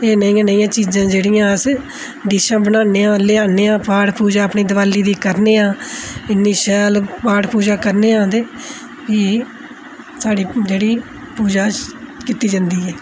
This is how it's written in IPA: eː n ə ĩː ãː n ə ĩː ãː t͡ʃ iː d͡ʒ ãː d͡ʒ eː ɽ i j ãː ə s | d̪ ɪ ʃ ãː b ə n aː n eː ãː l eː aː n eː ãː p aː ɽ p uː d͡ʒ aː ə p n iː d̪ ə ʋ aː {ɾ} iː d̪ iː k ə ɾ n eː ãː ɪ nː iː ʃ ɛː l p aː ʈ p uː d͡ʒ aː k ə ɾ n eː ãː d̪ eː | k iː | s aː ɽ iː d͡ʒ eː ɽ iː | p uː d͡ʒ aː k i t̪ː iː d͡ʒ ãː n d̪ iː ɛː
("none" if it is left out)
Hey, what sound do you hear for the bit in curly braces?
l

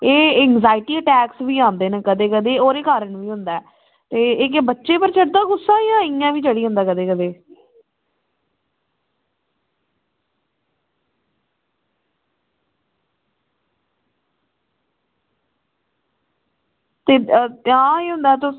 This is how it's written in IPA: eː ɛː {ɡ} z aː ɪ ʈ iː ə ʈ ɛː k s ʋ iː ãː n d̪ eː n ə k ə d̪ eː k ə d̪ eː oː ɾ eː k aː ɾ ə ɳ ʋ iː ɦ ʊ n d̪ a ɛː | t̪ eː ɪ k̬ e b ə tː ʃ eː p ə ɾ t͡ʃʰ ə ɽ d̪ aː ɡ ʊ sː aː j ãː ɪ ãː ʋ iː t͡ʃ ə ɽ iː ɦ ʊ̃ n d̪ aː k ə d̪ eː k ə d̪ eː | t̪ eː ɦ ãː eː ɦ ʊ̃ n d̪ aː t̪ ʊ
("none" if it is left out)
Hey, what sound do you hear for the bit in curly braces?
ŋ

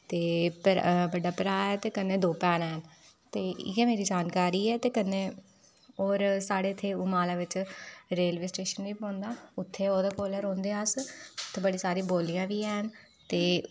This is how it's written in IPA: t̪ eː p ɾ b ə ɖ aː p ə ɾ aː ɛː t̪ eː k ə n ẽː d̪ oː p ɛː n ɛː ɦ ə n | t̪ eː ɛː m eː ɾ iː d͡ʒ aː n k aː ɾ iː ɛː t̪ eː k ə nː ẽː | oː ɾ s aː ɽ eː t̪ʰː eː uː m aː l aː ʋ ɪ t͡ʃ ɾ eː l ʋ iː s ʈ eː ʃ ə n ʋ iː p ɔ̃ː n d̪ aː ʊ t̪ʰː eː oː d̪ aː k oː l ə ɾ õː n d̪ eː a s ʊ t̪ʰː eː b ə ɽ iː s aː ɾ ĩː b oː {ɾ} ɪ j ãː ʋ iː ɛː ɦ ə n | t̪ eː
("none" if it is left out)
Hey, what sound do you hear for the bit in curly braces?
l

